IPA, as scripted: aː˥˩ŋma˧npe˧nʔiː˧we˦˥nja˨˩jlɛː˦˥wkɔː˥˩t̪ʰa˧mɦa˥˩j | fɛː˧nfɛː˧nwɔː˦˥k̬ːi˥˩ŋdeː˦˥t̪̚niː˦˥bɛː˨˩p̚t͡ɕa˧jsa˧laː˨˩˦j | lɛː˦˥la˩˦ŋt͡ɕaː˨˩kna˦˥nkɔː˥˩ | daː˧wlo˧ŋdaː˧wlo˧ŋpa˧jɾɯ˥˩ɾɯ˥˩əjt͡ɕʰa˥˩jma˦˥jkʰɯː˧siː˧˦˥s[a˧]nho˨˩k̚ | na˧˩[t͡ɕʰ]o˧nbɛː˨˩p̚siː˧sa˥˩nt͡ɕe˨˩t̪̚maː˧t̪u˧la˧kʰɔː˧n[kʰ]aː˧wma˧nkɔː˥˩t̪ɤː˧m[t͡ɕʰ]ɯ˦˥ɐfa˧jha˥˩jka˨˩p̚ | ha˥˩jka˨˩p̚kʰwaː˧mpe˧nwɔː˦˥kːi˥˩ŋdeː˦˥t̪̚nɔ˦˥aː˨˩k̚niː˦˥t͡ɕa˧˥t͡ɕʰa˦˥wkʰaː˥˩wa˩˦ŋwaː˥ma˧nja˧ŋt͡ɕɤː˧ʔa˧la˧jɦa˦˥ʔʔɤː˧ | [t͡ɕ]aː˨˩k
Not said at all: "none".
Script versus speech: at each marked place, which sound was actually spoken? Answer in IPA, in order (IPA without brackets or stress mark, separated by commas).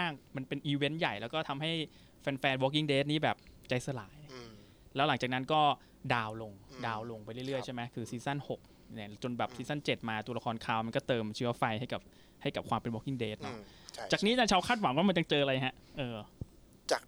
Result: a˥˩, t͡ɕ, kʰ, t͡ɕʰ, t͡ɕ